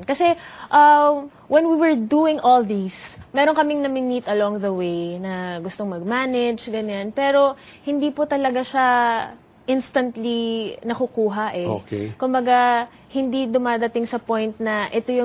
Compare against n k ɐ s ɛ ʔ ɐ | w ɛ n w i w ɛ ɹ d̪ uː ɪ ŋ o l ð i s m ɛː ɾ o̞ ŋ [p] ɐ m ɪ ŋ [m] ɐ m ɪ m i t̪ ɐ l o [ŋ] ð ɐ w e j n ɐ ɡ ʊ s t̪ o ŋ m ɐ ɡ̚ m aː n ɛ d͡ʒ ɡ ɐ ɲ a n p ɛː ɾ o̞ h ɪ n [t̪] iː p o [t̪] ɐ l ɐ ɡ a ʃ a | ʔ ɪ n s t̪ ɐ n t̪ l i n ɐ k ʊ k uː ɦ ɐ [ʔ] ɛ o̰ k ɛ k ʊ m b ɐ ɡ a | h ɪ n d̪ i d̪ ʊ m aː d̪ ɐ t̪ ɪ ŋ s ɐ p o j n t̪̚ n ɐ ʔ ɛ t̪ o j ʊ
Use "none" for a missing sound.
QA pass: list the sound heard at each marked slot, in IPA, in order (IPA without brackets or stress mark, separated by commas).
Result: k, n, ŋ, d̪, t̪, ʔ